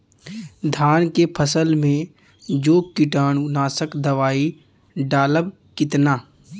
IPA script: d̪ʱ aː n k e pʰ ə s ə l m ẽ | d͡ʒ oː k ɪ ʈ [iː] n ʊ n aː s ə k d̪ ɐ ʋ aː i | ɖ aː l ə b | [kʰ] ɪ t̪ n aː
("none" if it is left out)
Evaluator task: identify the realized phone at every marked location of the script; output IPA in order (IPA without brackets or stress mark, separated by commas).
aː, k